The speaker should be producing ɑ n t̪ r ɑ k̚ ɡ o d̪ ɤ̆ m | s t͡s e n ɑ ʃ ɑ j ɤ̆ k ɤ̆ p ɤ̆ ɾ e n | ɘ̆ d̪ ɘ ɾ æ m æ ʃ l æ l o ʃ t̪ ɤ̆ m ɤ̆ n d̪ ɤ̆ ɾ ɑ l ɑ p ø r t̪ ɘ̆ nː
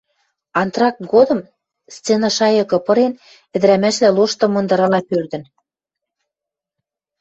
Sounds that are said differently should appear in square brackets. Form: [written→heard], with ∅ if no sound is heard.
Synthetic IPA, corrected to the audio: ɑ n t̪ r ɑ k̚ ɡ o d̪ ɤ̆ m | s t͡s e n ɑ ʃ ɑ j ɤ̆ k ɤ̆ p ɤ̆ ɾ e n | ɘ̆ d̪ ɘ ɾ æ m æ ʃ l æ l o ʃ t̪ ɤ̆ m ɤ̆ n d̪ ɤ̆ ɾ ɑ l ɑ p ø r [t̪→d̪] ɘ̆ [nː→n]

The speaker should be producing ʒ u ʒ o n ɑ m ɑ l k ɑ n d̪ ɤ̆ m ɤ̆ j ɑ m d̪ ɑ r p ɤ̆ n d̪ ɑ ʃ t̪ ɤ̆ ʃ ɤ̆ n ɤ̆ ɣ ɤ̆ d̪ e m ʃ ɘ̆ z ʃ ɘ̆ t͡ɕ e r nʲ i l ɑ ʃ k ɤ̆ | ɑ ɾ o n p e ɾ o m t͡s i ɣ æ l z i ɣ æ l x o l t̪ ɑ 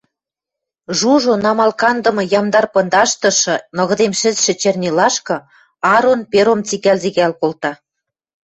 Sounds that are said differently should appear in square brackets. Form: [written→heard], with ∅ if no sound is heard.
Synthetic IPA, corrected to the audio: ʒ u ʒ o n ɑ m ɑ l k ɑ n d̪ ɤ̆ m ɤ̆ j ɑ m d̪ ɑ r p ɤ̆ n d̪ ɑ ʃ t̪ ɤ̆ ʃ ɤ̆ n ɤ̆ ɣ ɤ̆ d̪ e m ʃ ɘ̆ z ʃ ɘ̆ t͡ɕ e r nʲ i l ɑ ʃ k ɤ̆ | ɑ ɾ o n p e ɾ o m t͡s i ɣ æ l z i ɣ æ l [x→k] o l t̪ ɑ

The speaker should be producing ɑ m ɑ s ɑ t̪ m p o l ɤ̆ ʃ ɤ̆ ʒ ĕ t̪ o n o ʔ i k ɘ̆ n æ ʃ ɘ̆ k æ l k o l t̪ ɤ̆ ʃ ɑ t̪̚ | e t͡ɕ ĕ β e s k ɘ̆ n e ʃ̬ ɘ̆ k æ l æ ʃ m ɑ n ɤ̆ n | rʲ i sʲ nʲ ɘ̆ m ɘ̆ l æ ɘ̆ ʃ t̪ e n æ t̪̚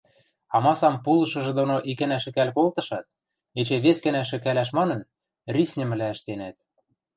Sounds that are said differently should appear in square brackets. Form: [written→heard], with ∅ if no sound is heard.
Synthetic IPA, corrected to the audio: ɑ m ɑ s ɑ [t̪→∅] m p [o→u] l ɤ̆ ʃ ɤ̆ ʒ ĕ [t̪→d̪] o n o ʔ i k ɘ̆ n æ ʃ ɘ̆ k æ l k o l t̪ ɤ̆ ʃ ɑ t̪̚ | e t͡ɕ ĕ β e s k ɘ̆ n [e→æ] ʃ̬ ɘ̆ k æ l æ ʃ m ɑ n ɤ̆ n | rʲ i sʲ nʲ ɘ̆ m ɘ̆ l æ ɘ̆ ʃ t̪ e n æ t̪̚

